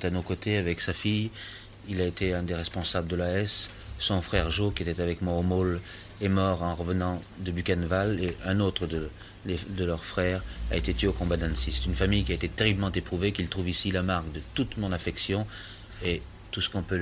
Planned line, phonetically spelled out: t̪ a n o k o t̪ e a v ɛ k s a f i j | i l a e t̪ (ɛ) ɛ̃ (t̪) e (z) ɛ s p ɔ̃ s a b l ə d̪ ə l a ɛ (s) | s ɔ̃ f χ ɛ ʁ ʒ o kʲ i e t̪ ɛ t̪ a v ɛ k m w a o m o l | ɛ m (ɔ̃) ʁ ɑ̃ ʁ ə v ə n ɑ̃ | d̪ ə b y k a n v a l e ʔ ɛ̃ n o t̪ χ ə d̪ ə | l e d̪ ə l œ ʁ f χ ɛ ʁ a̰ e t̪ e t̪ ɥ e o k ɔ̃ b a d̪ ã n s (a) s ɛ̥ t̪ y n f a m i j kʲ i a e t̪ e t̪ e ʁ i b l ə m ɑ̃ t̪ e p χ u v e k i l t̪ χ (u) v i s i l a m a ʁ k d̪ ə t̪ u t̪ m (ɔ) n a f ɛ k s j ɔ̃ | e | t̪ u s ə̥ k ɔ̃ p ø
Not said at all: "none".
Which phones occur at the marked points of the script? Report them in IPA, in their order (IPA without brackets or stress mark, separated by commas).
e, d̪, ʁ, s, ɔ, i, u, ɔ̃